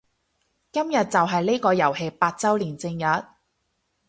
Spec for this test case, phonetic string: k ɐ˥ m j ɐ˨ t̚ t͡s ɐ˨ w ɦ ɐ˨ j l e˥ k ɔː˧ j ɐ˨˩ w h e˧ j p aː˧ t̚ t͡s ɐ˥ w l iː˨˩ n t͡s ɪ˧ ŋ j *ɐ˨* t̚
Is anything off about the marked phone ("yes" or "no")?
no